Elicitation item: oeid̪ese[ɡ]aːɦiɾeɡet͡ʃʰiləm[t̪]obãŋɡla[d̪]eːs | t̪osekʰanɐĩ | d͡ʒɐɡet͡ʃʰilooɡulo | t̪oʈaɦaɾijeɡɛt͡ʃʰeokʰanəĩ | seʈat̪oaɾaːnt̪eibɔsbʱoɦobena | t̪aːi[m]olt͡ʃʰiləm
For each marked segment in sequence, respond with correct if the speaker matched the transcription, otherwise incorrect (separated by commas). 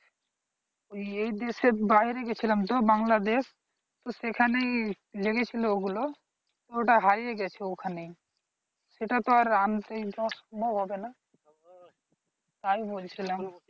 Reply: incorrect, correct, correct, incorrect